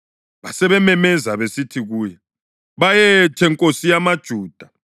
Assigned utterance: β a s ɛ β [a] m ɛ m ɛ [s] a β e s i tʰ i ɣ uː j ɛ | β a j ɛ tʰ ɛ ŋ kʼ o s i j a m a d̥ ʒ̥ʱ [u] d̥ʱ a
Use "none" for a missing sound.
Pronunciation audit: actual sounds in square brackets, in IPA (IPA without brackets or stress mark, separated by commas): ɛ, z, uː